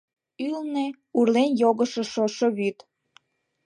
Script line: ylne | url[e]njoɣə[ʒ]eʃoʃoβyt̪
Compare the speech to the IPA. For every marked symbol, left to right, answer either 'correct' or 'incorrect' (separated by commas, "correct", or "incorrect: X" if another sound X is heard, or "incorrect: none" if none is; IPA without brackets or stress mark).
correct, incorrect: ʃ